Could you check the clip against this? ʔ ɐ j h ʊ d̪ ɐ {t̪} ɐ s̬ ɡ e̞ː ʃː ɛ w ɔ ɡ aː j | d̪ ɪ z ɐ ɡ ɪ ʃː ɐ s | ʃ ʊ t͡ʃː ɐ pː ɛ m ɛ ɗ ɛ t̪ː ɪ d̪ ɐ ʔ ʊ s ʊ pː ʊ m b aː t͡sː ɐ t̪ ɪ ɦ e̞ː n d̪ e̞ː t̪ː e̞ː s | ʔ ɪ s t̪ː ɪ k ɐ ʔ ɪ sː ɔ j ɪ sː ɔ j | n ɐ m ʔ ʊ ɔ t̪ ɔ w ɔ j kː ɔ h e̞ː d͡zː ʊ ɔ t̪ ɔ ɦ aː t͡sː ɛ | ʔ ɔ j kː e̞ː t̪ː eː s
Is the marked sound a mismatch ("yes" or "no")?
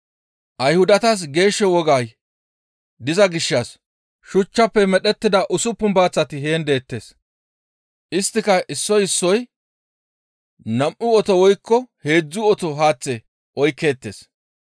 no